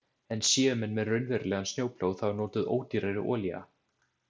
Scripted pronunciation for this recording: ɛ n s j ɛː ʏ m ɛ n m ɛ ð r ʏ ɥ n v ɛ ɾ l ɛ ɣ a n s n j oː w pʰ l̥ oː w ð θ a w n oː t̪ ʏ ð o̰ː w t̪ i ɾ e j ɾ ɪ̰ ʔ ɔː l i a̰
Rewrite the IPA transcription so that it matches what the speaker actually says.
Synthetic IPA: ɛ n s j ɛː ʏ m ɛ n m ɛ ð r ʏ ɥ n v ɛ ɾ l ɛ ɣ a n s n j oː w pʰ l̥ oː w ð θ a w n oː t̪ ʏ ð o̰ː w t̪ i ɾ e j ɾ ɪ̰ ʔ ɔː l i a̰